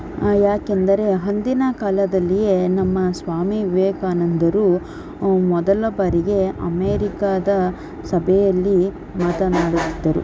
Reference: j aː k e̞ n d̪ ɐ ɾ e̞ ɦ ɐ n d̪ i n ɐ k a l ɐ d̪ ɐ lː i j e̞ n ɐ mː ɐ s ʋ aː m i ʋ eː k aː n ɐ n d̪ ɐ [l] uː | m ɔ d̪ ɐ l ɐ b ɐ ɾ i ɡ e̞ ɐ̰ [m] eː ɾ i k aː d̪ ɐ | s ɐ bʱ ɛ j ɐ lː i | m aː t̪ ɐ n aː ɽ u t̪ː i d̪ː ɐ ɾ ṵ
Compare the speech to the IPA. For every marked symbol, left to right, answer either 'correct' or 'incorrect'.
incorrect: ɾ, correct

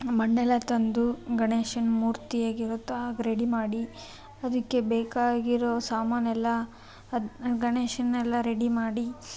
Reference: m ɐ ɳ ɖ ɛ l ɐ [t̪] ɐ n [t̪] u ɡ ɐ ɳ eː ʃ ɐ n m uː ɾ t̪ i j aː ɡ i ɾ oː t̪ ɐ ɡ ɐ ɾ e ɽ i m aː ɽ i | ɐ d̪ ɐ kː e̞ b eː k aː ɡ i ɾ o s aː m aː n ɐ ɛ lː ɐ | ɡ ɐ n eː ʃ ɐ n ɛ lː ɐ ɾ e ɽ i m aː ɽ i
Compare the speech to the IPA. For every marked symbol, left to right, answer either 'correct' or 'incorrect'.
correct, incorrect: d̪

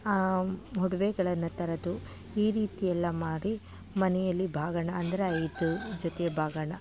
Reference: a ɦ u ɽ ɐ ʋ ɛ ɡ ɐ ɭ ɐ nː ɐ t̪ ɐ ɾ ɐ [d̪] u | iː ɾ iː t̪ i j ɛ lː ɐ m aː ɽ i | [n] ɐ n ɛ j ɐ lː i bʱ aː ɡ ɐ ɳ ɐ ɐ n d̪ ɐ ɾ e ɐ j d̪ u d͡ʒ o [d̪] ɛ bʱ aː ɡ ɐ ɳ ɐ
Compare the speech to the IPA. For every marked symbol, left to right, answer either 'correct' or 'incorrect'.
correct, incorrect: m, incorrect: t̪

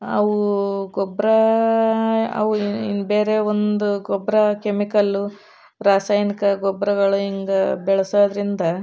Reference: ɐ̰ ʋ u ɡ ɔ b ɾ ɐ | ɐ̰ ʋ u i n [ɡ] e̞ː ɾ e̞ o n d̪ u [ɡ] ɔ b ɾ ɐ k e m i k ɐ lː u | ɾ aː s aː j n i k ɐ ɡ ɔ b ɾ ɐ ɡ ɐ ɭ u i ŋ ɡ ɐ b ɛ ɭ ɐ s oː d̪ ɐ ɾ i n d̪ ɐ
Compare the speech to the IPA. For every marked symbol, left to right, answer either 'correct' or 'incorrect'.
incorrect: b, correct

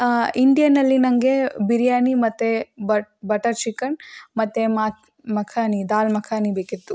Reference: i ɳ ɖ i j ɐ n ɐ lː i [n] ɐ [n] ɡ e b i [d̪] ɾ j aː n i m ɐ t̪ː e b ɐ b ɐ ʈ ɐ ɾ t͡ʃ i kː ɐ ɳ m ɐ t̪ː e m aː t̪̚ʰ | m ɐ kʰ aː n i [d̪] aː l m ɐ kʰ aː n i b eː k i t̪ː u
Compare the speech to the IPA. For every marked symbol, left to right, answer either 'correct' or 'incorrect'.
correct, incorrect: ŋ, incorrect: none, correct

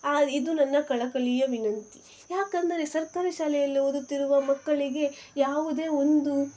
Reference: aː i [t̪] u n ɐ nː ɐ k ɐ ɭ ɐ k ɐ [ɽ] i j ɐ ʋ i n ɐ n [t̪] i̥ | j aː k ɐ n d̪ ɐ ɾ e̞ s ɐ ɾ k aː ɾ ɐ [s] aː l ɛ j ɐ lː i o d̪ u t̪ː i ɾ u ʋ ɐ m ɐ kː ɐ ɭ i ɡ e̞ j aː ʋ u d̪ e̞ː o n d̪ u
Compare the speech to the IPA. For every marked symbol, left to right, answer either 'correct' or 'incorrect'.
incorrect: d̪, incorrect: ɭ, correct, incorrect: ʃ

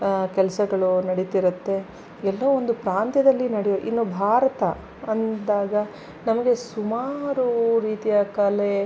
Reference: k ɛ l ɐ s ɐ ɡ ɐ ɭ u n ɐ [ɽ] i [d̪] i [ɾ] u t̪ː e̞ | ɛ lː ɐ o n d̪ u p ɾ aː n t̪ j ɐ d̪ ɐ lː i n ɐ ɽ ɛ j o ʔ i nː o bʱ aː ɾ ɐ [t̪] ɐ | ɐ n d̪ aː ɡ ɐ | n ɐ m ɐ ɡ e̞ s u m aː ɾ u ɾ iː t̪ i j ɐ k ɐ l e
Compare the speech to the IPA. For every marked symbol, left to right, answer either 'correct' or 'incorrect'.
correct, incorrect: t̪, correct, correct

